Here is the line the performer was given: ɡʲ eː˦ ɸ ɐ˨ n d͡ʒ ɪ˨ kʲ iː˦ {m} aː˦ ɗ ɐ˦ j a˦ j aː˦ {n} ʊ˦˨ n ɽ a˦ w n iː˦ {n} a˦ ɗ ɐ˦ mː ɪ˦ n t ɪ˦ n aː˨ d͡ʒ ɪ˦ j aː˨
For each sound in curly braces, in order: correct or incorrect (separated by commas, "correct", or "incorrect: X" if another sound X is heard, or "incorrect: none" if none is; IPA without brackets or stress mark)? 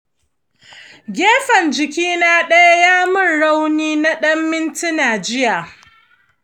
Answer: incorrect: n, incorrect: m, correct